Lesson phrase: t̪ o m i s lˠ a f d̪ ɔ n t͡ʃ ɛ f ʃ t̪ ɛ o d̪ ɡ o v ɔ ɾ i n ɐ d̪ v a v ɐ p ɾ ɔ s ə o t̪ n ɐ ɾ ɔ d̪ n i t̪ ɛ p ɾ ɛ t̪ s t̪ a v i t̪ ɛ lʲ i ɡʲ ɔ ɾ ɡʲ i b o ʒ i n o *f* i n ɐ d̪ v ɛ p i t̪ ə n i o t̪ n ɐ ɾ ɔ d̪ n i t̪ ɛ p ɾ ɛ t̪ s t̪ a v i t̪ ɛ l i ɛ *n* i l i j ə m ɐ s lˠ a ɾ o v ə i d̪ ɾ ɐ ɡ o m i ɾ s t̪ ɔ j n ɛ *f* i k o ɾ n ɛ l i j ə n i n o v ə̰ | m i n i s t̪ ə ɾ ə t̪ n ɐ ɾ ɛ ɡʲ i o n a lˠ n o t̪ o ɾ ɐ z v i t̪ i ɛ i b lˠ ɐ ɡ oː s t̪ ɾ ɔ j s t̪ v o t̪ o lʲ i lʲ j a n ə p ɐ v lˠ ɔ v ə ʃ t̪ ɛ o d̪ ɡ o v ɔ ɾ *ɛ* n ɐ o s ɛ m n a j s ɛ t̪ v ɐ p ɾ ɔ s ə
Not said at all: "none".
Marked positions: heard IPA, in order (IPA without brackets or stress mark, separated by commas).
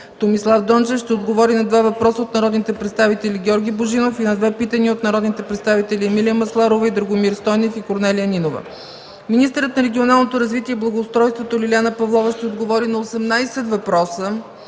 f, m, f, i